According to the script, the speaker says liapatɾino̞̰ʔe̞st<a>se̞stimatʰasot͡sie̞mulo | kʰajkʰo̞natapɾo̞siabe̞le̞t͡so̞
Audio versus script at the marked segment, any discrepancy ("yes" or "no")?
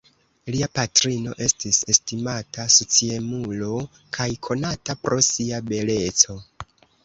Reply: yes